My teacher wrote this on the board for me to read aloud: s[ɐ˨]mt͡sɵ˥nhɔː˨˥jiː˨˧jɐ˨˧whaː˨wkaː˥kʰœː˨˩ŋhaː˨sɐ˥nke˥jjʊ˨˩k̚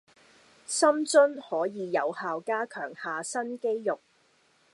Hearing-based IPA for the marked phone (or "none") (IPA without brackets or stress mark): ɐ˥